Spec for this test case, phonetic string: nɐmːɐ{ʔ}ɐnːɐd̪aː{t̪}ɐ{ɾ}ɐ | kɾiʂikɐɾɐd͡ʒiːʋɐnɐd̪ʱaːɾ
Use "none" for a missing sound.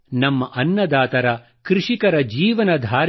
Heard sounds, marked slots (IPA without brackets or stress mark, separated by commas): ʔ, t̪, ɾ